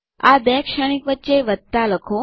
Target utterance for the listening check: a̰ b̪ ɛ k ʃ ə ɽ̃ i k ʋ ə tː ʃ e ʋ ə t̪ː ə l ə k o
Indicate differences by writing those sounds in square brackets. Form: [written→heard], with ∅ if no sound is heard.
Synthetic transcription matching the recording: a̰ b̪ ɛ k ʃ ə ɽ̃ i k ʋ ə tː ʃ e ʋ ə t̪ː [ə→a] l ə [k→kʰ] o